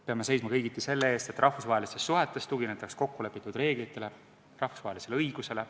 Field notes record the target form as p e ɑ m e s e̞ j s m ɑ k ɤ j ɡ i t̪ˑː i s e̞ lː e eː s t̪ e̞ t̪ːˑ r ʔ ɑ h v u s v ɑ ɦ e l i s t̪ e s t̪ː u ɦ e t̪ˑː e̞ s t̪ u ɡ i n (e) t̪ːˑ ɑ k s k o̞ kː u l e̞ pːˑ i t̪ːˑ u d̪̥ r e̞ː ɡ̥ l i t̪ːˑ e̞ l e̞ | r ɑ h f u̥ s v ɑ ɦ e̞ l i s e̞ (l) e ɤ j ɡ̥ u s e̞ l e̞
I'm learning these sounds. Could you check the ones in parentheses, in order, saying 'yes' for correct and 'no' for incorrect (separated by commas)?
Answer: yes, yes